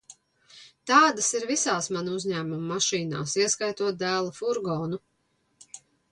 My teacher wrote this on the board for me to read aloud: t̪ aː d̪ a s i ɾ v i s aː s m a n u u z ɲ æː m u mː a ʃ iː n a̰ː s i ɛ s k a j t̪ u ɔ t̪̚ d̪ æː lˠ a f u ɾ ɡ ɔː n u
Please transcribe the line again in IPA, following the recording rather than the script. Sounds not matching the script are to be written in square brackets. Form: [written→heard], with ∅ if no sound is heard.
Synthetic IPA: t̪ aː d̪ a s i ɾ v i s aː s m a n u u z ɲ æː m u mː a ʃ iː n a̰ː s i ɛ s k a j t̪ u ɔ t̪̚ d̪ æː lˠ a f u ɾ ɡ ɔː n u